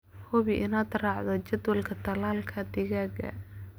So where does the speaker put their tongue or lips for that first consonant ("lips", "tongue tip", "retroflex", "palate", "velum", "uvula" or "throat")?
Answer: throat